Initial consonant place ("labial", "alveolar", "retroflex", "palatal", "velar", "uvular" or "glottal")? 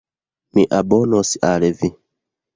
labial